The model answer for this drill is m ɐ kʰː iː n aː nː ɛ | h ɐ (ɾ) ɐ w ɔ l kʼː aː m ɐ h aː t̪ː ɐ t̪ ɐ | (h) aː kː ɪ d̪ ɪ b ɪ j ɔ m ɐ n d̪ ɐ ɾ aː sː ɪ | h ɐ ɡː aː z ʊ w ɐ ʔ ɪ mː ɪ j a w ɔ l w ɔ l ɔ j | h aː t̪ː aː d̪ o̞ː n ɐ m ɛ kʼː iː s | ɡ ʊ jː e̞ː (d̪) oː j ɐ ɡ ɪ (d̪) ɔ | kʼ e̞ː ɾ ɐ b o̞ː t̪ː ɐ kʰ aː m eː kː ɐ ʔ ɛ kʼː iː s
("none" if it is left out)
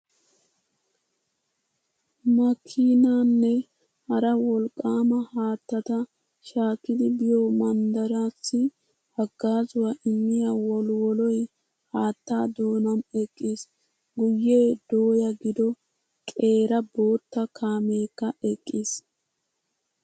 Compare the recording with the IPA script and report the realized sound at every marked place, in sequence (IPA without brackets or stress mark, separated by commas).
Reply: ɾ, ʃ, d̪, d̪